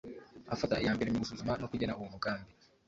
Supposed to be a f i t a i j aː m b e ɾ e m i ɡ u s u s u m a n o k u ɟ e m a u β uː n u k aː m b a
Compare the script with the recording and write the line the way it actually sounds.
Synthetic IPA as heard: a f a t a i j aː m b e ɾ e m i ɡ u s u z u m a n o k u ɟ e n a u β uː n u k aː m b i